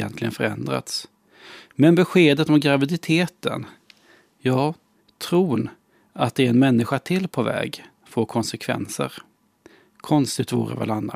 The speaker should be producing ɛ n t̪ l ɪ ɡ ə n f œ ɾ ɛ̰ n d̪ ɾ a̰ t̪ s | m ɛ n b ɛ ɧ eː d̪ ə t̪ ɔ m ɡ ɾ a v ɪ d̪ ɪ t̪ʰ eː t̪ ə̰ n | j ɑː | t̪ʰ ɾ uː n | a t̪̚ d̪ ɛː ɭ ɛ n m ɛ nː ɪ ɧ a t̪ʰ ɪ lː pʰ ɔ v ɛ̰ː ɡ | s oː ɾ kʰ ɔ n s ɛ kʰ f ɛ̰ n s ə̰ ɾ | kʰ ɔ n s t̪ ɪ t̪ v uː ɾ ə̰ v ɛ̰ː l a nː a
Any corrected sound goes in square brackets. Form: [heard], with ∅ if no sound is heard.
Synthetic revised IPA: ɛ n t̪ l ɪ ɡ ə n f œ ɾ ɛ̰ n d̪ ɾ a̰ t̪ s | m ɛ n b ɛ ɧ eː d̪ ə t̪ ɔ m ɡ ɾ a v ɪ d̪ ɪ t̪ʰ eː t̪ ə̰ n | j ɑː | t̪ʰ ɾ uː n | a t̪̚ d̪ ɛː [ɾ] ɛ n m ɛ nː ɪ ɧ a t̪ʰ ɪ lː pʰ ɔ v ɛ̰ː ɡ | [f] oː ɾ kʰ ɔ n s ɛ kʰ [v] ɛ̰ n s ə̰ ɾ | kʰ ɔ n s t̪ ɪ t̪ v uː ɾ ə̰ v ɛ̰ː l a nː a